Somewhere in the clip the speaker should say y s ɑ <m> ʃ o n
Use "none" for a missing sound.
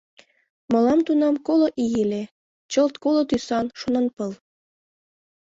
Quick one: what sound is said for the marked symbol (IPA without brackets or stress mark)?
n